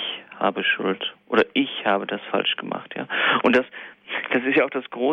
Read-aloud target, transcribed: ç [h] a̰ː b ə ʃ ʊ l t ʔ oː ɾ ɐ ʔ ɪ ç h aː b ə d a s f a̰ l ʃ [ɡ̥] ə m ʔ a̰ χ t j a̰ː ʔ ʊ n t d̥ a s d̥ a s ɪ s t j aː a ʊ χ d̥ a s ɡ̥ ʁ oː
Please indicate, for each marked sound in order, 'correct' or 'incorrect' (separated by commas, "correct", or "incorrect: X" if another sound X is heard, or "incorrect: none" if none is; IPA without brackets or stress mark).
correct, correct